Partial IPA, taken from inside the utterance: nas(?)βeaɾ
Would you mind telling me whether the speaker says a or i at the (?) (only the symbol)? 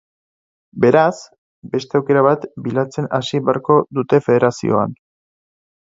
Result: i